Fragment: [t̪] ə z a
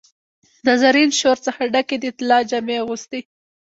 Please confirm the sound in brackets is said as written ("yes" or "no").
no